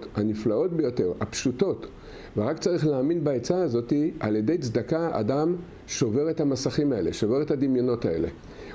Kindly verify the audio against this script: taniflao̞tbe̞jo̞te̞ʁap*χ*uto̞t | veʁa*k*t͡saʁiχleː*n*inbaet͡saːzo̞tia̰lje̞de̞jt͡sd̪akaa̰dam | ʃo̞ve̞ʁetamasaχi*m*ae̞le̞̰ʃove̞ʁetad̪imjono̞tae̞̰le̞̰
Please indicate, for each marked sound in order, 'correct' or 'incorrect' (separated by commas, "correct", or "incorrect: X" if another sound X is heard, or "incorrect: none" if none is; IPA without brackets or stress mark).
incorrect: ʃ, correct, incorrect: m, correct